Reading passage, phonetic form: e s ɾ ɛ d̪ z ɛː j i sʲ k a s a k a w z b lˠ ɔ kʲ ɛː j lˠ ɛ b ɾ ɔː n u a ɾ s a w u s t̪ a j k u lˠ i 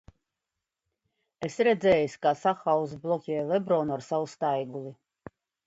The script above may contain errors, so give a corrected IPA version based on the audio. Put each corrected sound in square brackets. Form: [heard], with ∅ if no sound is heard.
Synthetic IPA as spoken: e s ɾ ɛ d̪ z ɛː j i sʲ k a s a [x] a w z b lˠ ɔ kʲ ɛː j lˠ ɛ b ɾ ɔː n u a ɾ s a w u s t̪ a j [ɡ] u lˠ i